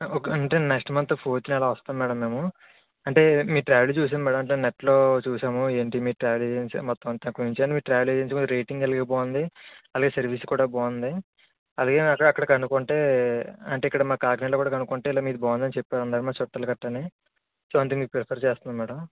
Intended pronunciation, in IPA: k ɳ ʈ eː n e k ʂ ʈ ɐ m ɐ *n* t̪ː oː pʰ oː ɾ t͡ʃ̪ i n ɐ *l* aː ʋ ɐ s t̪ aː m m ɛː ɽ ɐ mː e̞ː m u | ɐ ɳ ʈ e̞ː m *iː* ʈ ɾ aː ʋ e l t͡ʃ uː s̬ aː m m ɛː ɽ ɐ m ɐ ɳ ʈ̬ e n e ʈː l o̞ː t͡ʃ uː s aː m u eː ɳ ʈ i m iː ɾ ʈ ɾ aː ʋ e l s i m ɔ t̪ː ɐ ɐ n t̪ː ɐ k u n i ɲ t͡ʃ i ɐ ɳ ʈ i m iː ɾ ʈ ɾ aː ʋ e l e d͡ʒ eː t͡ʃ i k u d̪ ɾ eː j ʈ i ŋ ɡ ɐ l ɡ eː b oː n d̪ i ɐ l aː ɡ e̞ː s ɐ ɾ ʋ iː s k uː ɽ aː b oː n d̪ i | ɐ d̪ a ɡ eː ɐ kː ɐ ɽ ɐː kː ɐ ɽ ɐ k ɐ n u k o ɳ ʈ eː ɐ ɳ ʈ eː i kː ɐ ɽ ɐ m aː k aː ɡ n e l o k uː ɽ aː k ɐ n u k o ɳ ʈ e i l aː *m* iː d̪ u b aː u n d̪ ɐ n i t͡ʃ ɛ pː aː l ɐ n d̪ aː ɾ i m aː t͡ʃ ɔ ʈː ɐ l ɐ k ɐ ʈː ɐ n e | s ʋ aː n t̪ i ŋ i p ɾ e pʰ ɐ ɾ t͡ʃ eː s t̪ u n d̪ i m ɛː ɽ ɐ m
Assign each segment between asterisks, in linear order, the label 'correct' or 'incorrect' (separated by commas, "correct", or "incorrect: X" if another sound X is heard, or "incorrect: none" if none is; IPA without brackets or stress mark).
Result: correct, correct, correct, correct